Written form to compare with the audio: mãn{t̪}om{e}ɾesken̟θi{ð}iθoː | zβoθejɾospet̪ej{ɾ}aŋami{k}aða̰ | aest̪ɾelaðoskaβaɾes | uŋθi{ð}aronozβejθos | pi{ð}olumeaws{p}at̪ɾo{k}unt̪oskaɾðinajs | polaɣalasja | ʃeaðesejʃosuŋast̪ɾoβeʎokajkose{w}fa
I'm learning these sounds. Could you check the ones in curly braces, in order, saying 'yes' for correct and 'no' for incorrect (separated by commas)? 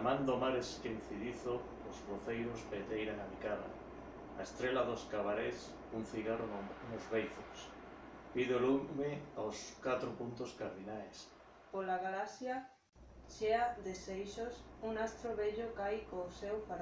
no, no, yes, yes, yes, no, yes, no, no, yes